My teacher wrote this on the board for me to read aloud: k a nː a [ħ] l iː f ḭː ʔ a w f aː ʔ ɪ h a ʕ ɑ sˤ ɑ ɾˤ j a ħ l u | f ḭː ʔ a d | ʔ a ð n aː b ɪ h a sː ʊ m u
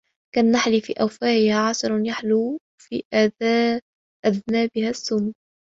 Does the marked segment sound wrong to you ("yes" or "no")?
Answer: no